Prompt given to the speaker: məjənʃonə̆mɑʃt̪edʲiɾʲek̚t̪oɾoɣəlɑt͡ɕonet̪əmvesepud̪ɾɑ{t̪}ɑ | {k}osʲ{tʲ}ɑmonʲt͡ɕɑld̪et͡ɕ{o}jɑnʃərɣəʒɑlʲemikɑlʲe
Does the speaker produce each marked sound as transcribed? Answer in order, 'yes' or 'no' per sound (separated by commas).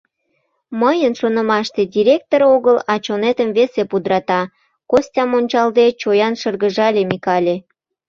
yes, yes, yes, yes